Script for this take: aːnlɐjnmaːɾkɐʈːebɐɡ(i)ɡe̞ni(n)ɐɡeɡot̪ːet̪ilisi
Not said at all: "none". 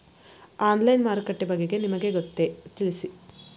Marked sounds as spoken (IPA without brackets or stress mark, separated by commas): e, m